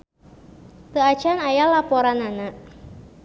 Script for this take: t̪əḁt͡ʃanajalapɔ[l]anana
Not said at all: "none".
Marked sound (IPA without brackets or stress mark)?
ɾ